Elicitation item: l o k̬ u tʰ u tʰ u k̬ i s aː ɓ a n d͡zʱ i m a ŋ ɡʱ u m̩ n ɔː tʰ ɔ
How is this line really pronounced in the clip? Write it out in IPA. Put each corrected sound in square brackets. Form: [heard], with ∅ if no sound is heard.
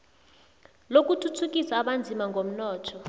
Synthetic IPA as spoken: l o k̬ u tʰ u tʰ u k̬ i s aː ɓ a n d͡zʱ i m a ŋ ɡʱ [o] m̩ n ɔː tʰ ɔ